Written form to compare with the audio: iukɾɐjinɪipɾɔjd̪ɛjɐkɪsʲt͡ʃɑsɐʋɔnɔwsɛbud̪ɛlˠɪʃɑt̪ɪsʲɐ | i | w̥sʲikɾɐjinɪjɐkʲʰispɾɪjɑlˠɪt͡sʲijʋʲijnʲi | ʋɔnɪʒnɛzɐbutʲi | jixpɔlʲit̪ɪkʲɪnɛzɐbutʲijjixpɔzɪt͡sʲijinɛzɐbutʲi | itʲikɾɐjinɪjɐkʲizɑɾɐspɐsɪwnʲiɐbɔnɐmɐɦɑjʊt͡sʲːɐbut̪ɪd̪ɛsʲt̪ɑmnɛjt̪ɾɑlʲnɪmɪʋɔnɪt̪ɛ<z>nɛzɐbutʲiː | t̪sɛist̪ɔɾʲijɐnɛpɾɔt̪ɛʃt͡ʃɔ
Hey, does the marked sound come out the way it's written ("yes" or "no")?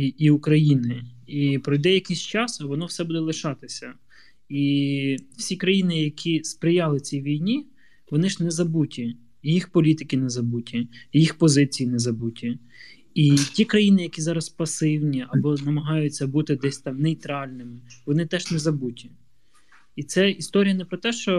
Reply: no